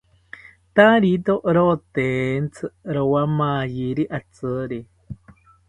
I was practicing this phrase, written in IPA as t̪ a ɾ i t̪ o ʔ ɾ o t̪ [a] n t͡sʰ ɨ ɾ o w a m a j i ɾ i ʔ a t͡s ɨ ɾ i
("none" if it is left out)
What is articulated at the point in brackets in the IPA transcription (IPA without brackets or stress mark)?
e